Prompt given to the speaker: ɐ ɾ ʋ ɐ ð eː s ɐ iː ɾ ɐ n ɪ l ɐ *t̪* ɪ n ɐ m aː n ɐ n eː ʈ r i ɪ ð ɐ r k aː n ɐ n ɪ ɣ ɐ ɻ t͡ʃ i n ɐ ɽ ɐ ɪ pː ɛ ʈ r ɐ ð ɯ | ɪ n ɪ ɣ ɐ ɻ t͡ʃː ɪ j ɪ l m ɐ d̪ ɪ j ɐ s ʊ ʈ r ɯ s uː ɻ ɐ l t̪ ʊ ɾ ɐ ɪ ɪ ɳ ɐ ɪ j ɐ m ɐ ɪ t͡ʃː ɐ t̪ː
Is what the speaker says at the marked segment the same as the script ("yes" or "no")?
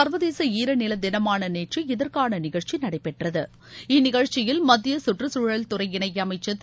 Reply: no